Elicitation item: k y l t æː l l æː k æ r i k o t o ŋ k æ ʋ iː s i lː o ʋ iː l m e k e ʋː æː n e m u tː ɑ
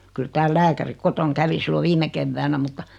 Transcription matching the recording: k y l t æː l l æː k æ r i k o t o ŋ k æ ʋ i s i lː o ʋ iː m e k e ʋː æː n æ m u tː ɑ